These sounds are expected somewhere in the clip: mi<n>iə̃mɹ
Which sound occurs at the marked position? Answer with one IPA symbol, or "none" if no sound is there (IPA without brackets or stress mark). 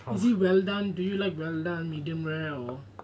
d